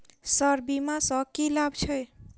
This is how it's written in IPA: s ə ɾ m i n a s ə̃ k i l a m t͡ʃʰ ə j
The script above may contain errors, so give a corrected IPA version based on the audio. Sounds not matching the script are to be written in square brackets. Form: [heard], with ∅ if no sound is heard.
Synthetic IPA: s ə ɾ [b] i [m] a s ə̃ k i l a [b] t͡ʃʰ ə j